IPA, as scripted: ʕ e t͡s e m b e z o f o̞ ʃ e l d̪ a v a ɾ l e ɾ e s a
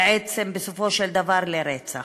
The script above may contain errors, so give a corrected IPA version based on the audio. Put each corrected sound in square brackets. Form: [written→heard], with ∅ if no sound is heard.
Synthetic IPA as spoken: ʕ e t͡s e m b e [z→s] o f o̞ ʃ e l d̪ a v a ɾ l e ɾ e [s→t͡s] a